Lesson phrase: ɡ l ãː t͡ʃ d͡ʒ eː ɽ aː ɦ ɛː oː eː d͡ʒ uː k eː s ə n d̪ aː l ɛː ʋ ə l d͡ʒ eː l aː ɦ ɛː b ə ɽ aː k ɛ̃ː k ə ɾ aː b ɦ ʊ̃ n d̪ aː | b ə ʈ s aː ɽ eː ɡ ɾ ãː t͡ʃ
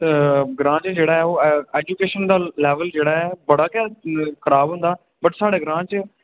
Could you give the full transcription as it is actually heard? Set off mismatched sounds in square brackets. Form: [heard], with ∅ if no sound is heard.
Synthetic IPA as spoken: ɡ [ɾ] ãː t͡ʃ d͡ʒ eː ɽ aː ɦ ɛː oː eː d͡ʒ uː k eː [ʃ] ə n d̪ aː l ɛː ʋ ə l d͡ʒ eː [ɽ] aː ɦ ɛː b ə ɽ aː k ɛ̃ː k ə ɾ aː b ɦ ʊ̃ n d̪ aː | b ə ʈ s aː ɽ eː ɡ ɾ ãː t͡ʃ